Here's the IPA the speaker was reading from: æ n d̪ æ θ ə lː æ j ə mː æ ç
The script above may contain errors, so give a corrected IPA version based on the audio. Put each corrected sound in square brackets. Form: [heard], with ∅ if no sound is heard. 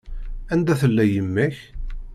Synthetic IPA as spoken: æ n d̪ æ θ ə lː æ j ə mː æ ç